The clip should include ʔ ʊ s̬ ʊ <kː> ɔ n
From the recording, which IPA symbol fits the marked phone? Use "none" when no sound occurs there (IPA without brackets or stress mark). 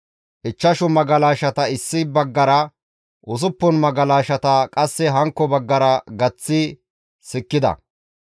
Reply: pː